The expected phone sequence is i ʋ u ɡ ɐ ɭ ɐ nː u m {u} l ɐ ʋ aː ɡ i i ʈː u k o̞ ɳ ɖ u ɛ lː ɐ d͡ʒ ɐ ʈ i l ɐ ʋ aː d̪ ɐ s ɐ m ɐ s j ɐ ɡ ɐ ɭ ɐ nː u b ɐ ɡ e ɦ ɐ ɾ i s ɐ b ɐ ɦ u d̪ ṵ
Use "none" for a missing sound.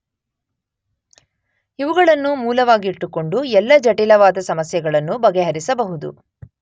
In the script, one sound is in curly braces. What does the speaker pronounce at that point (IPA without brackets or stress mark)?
uː